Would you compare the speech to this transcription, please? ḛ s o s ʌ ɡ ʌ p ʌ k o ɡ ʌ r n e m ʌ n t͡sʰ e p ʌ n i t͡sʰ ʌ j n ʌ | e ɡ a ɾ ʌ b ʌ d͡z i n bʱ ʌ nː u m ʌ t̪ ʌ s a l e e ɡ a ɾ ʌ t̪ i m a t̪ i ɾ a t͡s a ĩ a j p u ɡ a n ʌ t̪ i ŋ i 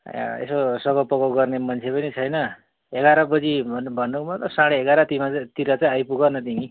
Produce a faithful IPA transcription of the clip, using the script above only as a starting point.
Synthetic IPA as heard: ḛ s o s ʌ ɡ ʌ p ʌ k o ɡ ʌ r n e m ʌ n t͡sʰ e p ʌ n i t͡sʰ ʌ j n ʌ | e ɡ a ɾ ʌ b ʌ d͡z i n bʱ ʌ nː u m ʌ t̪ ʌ s a ɽ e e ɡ a ɾ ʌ t̪ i m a t̪ i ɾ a t͡s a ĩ a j p u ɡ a n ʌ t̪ i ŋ i

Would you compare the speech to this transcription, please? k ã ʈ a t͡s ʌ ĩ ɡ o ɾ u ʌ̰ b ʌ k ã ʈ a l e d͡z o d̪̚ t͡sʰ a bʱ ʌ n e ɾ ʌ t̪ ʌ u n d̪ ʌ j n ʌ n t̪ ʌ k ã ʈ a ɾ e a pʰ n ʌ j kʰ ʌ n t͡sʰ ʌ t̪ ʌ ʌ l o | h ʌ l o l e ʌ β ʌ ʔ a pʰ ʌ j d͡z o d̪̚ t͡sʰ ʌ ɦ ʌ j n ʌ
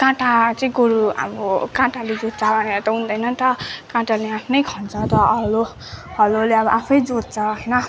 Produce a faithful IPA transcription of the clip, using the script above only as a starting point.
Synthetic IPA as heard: k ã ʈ a t͡s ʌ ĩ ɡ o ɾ u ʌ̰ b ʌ k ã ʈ a l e d͡z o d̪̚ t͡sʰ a bʱ ʌ n e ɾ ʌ t̪ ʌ u n d̪ ʌ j n ʌ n t̪ ʌ k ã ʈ a l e a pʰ n ʌ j kʰ ʌ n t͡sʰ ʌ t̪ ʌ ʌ l o | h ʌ l o l e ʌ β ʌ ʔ a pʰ ʌ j d͡z o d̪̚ t͡sʰ ʌ ɦ ʌ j n ʌ

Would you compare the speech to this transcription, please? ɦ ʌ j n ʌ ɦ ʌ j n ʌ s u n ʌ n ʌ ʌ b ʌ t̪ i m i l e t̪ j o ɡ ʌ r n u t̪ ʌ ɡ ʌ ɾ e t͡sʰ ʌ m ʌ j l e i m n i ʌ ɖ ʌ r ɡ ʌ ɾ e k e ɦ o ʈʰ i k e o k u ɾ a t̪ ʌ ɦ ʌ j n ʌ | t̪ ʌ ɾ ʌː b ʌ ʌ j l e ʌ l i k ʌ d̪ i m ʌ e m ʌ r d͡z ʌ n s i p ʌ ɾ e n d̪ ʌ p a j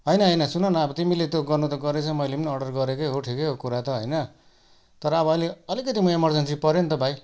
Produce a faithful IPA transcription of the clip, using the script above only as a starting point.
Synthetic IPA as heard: ɦ ʌ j n ʌ ɦ ʌ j n ʌ s u n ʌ n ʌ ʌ b ʌ t̪ i m i l e t̪ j o ɡ ʌ r n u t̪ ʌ ɡ ʌ ɾ e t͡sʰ ʌ m ʌ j l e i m n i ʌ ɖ ʌ r ɡ ʌ ɾ e k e ɦ o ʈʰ i k e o k u ɾ a t̪ ʌ ɦ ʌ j n ʌ | t̪ ʌ ɾ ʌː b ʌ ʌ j l e ʌ l i k ʌ t̪ i m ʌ e m ʌ r d͡z ʌ n s i p ʌ ɾ e n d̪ ʌ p a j

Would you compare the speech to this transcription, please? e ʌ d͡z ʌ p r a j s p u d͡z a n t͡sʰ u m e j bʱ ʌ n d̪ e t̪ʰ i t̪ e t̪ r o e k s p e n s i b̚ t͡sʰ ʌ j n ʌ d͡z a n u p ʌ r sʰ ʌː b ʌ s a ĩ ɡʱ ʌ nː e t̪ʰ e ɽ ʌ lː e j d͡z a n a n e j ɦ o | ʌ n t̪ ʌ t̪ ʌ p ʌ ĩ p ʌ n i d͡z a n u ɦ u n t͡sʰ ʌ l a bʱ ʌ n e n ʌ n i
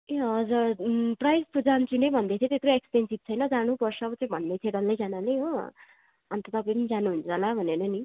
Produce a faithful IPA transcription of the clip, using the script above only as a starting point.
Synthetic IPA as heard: e ʌ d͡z ʌ p r a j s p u d͡z a n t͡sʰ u n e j bʱ ʌ n d̪ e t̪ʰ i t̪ e t̪ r o e k s p e n s i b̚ t͡sʰ ʌ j n ʌ d͡z a n u p ʌ r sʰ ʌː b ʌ t͡s a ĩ bʱ ʌ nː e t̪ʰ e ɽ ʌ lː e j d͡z a n a n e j ɦ o | ʌ n t̪ ʌ t̪ ʌ p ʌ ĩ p ʌ n i d͡z a n u ɦ u n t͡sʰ ʌ l a bʱ ʌ n e n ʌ n i

